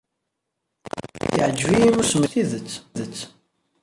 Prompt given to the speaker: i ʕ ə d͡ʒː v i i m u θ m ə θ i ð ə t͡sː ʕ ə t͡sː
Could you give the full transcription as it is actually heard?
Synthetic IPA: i ʕ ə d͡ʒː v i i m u s m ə θ i ð ə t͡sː ð ə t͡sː